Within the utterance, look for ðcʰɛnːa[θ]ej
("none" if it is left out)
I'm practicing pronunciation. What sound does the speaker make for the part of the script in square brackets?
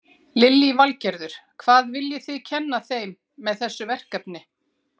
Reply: θ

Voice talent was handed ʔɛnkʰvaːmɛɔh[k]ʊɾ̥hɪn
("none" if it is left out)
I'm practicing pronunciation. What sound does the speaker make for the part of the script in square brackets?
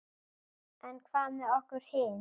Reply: k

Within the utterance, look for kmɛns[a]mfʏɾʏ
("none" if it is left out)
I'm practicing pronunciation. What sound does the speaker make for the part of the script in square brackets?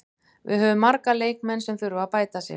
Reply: ɛ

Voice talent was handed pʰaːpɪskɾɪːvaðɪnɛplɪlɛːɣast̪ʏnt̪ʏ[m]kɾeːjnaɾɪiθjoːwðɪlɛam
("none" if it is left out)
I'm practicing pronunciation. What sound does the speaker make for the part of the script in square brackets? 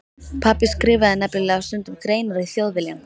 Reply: m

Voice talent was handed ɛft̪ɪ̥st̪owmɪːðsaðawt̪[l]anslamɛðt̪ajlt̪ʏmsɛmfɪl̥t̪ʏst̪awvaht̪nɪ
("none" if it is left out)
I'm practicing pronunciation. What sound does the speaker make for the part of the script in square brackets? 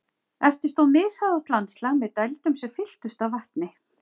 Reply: l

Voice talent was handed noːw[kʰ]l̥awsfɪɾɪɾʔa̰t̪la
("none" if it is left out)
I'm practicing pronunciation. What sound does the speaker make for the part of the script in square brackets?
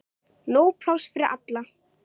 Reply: pʰ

